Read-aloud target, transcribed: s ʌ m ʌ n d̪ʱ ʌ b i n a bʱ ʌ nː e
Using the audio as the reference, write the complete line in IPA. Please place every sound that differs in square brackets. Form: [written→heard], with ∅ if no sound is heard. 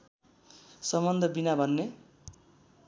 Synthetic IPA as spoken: s ʌ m ʌ n d̪ʱ ʌ b i n a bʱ ʌ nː e